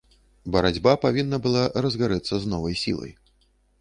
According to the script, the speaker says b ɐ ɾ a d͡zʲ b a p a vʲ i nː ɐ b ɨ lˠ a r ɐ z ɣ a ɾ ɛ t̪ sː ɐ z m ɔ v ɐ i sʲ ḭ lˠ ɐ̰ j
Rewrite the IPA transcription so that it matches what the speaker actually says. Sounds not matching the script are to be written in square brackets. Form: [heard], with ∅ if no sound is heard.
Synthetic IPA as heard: b ɐ ɾ a d͡zʲ b a p a vʲ i nː ɐ b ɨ lˠ a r ɐ z ɣ a ɾ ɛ t̪ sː ɐ z [n] ɔ v ɐ [j] sʲ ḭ lˠ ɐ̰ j